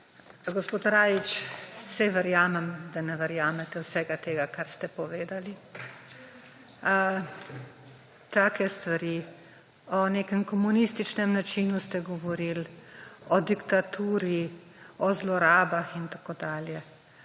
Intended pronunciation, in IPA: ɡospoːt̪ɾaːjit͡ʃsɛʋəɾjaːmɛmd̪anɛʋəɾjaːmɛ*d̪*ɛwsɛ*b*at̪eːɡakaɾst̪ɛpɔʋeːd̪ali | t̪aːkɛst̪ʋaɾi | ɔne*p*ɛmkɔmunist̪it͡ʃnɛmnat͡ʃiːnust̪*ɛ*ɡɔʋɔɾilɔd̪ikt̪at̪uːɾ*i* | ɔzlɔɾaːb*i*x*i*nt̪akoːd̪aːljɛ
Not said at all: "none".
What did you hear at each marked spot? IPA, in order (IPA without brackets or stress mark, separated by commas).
t̪, ɡ, k, ɛ, i, a, i